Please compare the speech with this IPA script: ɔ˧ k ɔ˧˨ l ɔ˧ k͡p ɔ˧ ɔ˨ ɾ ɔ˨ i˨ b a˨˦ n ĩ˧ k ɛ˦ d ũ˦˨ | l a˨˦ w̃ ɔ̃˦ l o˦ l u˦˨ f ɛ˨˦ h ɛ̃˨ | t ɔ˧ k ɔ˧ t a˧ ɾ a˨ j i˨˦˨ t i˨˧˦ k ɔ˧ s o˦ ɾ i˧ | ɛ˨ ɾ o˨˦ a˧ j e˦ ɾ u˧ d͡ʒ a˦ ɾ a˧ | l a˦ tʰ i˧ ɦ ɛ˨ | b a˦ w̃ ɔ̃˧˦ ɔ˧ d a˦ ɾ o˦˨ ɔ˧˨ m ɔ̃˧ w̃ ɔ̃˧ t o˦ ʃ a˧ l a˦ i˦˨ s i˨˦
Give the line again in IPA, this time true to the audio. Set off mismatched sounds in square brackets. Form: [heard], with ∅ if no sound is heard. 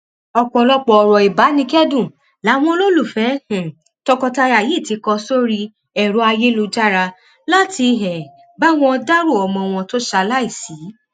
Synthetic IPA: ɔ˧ [k͡p] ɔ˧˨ l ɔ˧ k͡p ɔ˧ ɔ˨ ɾ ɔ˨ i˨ b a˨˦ n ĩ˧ k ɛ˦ d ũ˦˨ | l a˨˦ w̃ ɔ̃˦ l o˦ l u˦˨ f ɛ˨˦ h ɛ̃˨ | t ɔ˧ k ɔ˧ t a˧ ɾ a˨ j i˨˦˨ t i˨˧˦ k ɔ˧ s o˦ ɾ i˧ | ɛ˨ ɾ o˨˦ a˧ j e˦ [l] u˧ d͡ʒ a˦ ɾ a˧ | l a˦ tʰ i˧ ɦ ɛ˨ | b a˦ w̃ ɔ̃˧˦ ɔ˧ d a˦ ɾ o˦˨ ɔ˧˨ m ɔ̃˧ w̃ ɔ̃˧ t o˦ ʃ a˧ l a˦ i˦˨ s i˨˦